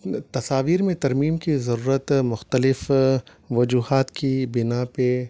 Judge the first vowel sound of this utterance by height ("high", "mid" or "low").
low